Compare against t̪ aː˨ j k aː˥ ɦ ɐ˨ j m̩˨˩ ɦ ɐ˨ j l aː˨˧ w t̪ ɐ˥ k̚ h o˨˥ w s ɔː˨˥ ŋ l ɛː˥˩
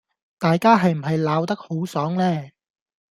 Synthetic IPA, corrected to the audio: t̪ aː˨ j k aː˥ ɦ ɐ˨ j m̩˨˩ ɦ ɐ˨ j l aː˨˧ w t̪ ɐ˥ k̚ h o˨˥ w s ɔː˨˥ ŋ l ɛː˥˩